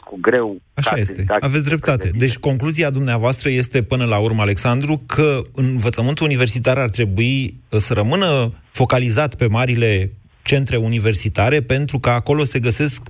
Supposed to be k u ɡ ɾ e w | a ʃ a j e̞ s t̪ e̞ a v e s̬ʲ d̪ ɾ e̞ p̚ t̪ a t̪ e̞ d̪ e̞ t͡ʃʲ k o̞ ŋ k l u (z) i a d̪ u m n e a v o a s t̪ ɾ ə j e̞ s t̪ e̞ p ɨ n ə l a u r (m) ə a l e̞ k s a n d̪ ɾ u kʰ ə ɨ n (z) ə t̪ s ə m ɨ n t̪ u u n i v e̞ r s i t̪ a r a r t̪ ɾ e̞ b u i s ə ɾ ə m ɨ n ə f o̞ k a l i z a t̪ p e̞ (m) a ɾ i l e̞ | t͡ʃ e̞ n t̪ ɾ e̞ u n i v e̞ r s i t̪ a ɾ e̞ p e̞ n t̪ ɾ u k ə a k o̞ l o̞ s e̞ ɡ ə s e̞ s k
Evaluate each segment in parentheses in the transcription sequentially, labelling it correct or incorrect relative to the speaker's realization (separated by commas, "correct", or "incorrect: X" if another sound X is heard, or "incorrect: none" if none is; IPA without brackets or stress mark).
correct, correct, incorrect: v, correct